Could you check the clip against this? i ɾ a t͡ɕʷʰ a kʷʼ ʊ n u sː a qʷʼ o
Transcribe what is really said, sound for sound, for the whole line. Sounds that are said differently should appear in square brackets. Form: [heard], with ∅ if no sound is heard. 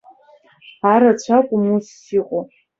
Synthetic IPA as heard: [a] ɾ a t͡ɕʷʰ a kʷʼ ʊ [m] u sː [i] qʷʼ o